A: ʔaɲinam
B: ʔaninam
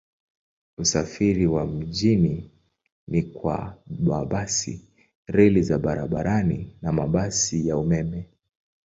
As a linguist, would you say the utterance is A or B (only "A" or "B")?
B